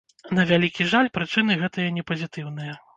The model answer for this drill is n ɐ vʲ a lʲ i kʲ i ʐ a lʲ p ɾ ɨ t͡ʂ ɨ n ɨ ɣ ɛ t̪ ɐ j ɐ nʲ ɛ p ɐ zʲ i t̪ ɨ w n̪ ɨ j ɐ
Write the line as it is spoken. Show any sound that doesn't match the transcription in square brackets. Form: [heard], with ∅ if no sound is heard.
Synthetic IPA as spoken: n ɐ vʲ a lʲ i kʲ i ʐ a lʲ p ɾ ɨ t͡ʂ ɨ n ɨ ɣ ɛ t̪ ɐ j ɐ nʲ ɛ p ɐ zʲ i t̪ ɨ w n̪ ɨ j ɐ